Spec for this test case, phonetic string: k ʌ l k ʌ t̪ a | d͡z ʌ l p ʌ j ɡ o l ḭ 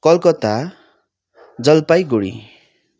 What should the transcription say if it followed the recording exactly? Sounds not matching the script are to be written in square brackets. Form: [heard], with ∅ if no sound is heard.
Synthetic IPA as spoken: k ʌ l k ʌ t̪ a | d͡z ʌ l p [a] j ɡ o [ɽ] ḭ